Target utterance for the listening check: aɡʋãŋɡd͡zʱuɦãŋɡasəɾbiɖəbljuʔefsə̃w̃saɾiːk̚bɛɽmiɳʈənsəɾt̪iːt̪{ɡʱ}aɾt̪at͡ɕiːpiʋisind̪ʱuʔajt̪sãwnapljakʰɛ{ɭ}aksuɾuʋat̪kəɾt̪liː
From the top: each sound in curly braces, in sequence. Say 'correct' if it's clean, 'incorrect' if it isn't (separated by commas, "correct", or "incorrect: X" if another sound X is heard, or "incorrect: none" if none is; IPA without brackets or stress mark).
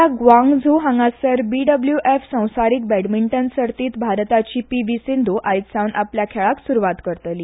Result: incorrect: bʱ, correct